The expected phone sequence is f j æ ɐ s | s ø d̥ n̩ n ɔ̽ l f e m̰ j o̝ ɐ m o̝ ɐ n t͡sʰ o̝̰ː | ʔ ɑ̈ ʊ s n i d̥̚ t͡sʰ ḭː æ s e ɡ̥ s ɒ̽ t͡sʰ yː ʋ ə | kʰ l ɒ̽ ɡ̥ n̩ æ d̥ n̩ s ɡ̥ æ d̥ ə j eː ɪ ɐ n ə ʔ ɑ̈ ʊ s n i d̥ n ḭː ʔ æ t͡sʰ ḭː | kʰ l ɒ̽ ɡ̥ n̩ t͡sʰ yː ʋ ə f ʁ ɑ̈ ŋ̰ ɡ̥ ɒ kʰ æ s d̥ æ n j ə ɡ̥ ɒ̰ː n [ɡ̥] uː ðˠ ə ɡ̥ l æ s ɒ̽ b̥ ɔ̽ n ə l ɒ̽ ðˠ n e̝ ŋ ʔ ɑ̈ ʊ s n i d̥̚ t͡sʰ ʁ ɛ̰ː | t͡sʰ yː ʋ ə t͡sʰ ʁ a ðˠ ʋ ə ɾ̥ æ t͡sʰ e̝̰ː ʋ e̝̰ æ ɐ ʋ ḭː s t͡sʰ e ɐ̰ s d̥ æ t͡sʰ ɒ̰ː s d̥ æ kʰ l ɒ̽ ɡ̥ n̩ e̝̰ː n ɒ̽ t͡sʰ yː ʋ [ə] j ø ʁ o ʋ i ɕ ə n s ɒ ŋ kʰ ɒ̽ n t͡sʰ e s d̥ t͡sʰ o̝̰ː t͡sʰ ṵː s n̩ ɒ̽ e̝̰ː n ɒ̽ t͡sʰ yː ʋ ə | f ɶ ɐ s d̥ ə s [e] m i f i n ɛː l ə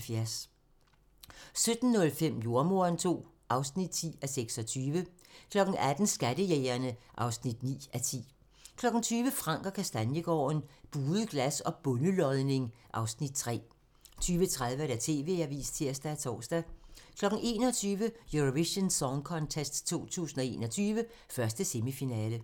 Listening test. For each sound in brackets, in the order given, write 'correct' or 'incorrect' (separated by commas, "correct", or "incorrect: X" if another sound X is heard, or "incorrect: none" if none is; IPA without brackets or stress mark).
incorrect: b̥, correct, correct